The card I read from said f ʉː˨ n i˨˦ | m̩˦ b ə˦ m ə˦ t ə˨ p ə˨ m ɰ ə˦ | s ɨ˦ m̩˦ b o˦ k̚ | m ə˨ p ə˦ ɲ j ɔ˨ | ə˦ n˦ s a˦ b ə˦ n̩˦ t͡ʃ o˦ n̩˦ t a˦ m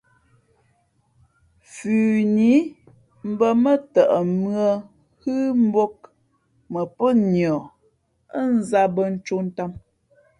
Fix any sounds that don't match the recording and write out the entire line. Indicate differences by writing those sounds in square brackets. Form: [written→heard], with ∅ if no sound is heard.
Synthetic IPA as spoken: f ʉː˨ n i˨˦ | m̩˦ b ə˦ m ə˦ t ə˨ [p→ʔ] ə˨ m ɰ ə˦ | [s→h] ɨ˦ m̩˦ b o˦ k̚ | m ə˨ p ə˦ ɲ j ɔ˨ | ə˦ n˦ [s→z] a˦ b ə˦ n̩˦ t͡ʃ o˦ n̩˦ t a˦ m